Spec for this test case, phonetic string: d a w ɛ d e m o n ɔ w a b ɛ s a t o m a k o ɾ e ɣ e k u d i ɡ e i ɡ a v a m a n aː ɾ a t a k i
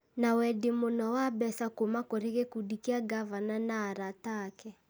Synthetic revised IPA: n a w ɛ d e m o n ɔ w a b ɛ s a k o m a k o ɾ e ɣ e k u d i k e a ɡ a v a n a n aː ɾ a t a k ɛ